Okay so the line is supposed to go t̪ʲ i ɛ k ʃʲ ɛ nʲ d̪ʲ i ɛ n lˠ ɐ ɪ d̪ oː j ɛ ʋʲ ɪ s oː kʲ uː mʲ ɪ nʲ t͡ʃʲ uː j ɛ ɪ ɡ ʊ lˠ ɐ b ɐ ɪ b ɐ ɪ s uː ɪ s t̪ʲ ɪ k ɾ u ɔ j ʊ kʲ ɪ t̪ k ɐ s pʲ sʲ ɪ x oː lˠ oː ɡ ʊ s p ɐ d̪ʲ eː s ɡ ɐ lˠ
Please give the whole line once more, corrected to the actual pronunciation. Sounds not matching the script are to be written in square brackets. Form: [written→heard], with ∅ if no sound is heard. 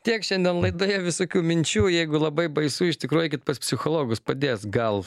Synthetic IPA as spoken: t̪ʲ i ɛ k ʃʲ ɛ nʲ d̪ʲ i ɛ n lˠ ɐ ɪ d̪ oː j ɛ ʋʲ ɪ s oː kʲ uː mʲ ɪ nʲ t͡ʃʲ uː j ɛ ɪ ɡ ʊ lˠ ɐ b ɐ ɪ b ɐ ɪ s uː ɪ [s→ʃ] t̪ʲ ɪ k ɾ u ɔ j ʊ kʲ ɪ t̪ [k→p] ɐ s pʲ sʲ ɪ x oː lˠ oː ɡ ʊ s p ɐ d̪ʲ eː s ɡ ɐ lˠ